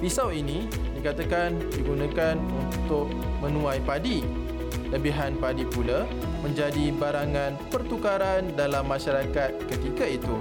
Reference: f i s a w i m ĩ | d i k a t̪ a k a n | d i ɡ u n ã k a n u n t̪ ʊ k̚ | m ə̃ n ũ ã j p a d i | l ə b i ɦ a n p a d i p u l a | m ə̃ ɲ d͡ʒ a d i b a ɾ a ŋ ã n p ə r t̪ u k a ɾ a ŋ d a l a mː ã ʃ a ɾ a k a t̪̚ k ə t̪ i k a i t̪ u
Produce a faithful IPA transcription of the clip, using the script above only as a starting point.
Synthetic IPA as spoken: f i s a w i n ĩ | d i k a t̪ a k a n | d i ɡ u n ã k a n u n t̪ ʊ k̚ | m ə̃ n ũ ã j p a d i | l ə b i ɦ a n p a d i p u l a | m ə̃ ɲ d͡ʒ a d i b a ɾ a ŋ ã n p ə r t̪ u k a ɾ a n d a l a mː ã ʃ a ɾ a k a t̪̚ k ə t̪ i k a i t̪ u